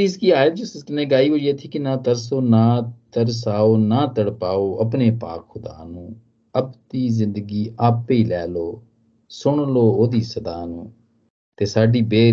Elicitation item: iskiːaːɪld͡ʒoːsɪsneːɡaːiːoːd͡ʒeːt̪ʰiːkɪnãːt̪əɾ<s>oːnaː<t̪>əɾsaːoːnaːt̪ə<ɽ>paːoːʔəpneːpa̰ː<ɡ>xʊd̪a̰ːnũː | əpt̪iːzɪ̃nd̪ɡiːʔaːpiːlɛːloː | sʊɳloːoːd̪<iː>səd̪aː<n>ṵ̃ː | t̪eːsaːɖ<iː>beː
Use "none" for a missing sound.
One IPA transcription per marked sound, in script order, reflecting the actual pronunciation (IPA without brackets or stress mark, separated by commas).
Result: s, t̪, ɽ, k, iː, n, iː